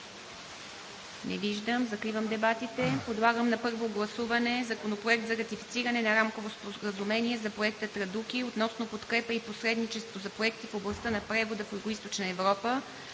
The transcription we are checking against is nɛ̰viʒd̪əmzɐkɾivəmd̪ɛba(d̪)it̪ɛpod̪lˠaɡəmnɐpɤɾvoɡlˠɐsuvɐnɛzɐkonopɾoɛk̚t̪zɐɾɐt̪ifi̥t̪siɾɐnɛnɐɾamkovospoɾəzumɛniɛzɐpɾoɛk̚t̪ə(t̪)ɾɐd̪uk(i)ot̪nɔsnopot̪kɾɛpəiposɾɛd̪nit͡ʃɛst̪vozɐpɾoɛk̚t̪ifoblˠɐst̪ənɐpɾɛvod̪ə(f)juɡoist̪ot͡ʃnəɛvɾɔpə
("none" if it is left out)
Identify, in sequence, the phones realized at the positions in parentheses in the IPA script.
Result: t̪, t̪, i, f

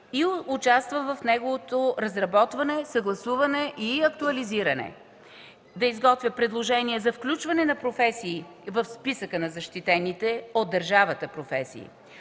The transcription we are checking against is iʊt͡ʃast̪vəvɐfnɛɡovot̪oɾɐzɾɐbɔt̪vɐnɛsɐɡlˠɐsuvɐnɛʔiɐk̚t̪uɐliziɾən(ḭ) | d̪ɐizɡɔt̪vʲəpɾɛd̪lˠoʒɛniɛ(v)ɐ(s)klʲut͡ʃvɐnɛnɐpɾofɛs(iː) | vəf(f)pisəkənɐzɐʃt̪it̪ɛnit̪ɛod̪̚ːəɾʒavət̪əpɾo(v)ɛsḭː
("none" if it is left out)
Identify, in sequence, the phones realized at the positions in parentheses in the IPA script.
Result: ɛ̰, z, f, iː, s, f

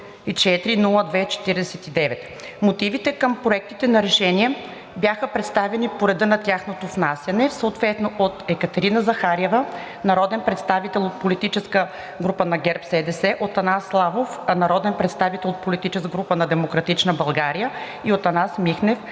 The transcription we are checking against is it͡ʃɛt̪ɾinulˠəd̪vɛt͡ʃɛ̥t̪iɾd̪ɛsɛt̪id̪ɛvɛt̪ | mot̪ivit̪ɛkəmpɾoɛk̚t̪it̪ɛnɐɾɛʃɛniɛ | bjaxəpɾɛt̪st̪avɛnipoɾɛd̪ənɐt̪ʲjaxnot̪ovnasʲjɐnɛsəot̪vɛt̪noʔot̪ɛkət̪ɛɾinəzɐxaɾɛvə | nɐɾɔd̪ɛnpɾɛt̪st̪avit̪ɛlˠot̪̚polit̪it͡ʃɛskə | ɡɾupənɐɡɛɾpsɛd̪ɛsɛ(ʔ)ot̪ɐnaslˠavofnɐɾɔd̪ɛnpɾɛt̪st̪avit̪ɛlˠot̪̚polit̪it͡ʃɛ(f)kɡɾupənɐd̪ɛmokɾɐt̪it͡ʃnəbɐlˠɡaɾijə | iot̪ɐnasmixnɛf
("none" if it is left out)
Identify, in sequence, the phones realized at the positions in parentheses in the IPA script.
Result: ʔ, s

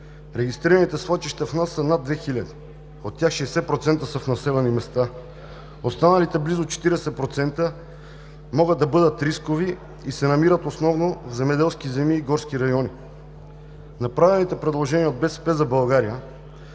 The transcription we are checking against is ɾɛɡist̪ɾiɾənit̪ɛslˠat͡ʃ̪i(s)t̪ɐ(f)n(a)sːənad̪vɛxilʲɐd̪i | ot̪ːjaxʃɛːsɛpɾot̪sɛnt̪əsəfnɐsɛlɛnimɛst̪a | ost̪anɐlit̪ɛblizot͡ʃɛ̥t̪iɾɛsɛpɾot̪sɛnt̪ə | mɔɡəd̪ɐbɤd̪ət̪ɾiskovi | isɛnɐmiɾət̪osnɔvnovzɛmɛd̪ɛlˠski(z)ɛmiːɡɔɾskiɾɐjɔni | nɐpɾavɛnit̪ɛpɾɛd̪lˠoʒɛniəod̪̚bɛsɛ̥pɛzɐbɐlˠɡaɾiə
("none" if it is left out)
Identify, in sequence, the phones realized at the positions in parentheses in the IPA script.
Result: ʃ, f, a, z

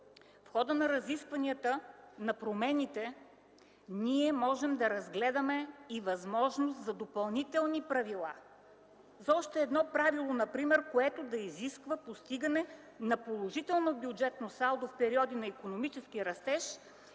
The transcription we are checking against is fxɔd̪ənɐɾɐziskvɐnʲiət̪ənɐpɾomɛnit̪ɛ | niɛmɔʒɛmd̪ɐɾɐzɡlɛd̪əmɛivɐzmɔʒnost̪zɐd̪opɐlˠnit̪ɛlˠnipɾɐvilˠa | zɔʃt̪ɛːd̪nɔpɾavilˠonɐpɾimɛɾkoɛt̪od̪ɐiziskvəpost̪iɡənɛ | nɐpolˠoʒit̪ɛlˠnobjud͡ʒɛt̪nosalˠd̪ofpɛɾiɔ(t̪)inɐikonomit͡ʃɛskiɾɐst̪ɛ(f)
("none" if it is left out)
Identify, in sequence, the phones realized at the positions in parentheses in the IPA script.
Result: d̪, ʃ

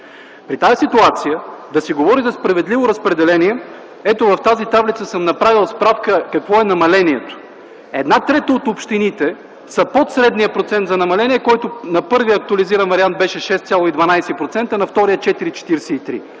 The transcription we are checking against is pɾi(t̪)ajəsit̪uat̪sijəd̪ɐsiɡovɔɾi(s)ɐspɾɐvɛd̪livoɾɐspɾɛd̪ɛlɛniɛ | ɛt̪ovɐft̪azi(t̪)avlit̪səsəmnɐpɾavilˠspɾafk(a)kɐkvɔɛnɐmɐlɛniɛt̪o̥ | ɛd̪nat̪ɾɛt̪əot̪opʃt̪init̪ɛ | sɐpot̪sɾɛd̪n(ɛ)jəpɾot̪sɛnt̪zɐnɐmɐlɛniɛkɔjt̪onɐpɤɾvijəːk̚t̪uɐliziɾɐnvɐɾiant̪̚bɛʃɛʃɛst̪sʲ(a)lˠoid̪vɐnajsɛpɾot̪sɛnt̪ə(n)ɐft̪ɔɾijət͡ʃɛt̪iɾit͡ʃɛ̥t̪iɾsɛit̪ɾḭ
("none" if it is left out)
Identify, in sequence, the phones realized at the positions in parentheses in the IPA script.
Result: t̪, z, t̪, ə, i, a, n

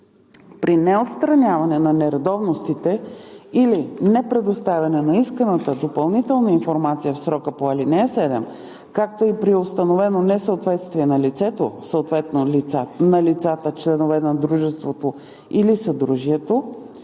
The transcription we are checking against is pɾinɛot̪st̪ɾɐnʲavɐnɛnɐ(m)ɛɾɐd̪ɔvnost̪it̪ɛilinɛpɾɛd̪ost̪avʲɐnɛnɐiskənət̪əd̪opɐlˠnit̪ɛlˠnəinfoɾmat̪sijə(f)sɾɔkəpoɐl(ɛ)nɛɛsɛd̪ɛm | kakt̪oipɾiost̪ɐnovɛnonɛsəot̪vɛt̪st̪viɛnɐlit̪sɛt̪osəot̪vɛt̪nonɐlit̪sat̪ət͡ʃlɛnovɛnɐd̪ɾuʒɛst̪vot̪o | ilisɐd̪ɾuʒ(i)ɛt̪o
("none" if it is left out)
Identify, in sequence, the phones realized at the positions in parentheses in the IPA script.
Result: n, f, i, i

